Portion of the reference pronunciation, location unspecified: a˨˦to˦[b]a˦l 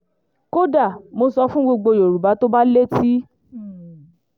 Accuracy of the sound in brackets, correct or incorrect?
correct